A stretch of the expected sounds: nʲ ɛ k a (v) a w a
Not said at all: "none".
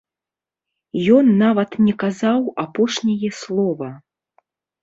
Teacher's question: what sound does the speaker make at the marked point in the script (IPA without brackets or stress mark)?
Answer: z